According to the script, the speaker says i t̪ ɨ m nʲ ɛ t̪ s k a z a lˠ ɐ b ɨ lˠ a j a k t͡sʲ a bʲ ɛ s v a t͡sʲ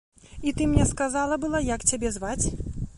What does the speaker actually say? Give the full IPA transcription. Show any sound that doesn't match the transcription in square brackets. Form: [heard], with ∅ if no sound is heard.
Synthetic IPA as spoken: i t̪ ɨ m nʲ ɛ [∅] s k a z a lˠ ɐ b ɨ lˠ a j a k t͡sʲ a bʲ ɛ [z] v a t͡sʲ